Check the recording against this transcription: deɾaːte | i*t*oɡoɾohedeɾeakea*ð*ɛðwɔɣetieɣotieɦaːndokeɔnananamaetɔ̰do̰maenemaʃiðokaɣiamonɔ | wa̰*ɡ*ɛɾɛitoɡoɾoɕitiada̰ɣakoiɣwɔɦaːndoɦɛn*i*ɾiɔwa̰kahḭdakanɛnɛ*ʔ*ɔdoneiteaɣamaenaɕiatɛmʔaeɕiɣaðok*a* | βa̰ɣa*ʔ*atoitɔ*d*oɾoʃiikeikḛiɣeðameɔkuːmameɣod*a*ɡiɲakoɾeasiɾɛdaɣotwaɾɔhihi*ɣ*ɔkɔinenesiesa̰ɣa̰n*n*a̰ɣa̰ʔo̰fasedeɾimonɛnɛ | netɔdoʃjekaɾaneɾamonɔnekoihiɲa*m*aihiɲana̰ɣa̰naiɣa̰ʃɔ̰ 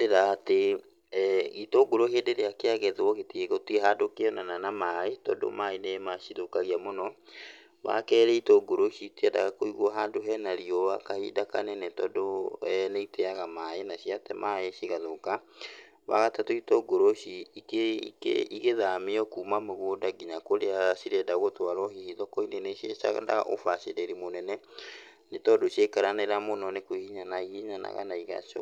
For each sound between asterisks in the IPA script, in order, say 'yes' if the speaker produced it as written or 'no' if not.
yes, no, no, no, no, yes, no, no, yes, no, no, no

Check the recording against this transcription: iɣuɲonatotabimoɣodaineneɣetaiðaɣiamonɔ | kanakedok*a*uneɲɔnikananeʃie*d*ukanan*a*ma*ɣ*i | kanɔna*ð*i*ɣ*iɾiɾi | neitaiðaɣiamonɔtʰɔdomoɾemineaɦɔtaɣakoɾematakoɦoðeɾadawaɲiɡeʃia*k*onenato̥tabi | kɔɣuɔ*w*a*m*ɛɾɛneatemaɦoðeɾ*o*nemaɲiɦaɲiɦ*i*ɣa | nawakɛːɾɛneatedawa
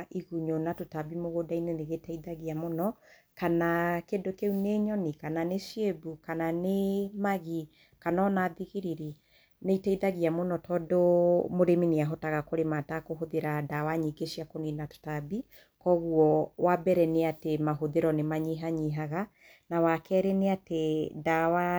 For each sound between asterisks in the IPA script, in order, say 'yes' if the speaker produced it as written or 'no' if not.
no, no, no, yes, yes, yes, yes, yes, no, no, no

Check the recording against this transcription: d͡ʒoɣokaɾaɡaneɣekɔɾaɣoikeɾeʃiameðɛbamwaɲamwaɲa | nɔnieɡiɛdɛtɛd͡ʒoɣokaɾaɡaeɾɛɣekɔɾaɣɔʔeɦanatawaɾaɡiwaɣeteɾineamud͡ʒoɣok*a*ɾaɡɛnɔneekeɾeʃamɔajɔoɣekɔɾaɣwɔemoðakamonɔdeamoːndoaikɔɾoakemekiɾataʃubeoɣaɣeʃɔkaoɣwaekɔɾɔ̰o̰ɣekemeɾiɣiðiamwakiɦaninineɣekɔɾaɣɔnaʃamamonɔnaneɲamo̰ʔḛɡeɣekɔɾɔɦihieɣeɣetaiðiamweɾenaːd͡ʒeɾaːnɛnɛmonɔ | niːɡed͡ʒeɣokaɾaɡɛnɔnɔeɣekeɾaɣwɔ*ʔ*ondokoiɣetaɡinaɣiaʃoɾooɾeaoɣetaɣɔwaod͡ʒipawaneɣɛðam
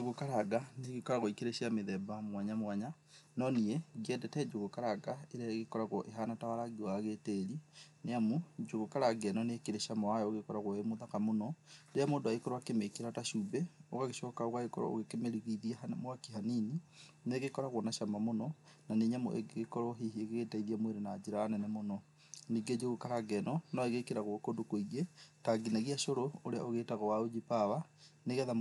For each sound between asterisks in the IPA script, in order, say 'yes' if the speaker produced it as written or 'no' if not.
yes, no

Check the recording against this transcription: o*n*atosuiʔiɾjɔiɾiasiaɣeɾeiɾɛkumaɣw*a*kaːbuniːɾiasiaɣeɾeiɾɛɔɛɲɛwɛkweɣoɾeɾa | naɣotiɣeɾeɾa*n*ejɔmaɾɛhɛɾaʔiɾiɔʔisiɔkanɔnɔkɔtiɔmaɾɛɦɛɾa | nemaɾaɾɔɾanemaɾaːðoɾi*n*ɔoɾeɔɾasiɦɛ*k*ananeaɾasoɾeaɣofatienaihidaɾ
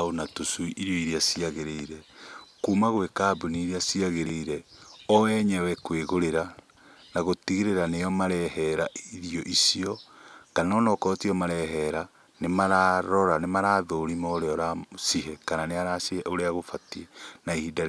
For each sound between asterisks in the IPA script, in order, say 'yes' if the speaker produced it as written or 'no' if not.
yes, no, yes, no, yes

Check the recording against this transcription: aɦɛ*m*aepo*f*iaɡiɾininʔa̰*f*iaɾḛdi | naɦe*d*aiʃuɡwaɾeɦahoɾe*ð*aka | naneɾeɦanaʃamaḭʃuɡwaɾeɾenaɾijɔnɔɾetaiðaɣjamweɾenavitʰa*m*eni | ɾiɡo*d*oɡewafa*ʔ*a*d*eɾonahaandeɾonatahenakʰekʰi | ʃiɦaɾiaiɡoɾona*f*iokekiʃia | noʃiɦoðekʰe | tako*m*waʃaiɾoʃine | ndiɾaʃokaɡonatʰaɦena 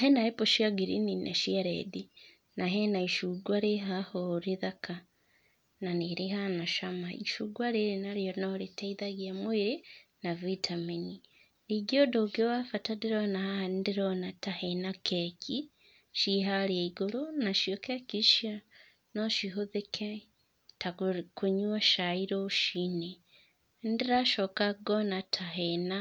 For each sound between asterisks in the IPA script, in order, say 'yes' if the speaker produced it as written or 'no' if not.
no, no, no, no, yes, yes, yes, no, yes, no, no

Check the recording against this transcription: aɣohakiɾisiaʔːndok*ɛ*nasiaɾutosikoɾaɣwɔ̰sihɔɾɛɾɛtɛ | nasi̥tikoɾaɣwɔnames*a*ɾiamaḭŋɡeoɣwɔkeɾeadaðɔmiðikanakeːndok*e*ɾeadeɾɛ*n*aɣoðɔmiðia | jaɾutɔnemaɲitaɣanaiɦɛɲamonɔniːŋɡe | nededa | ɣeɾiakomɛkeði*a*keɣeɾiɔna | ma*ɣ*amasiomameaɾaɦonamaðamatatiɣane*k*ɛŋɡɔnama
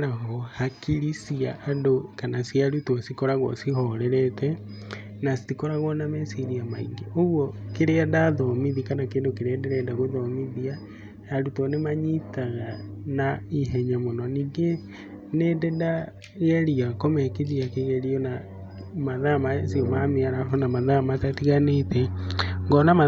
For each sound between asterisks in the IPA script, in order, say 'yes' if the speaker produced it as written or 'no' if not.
no, no, yes, no, yes, no, no

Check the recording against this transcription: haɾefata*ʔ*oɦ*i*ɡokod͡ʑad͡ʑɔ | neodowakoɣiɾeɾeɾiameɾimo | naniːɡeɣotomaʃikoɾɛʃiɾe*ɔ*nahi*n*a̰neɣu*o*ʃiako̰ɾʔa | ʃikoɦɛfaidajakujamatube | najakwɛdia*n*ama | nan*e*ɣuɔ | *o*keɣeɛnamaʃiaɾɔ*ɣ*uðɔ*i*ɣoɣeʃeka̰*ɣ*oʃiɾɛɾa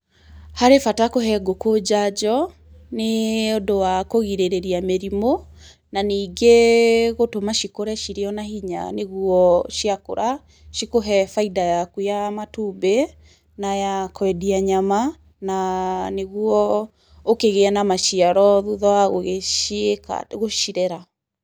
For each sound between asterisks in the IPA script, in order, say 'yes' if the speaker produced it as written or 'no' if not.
no, no, yes, no, no, no, yes, yes, no, no, yes

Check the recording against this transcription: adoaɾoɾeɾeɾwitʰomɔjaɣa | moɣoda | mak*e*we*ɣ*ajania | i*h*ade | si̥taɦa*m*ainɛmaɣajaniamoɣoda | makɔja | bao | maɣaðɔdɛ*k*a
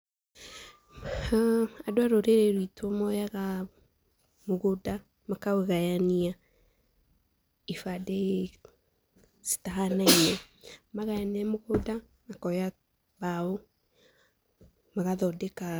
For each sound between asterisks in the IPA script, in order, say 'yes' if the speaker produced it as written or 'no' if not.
no, yes, no, no, yes

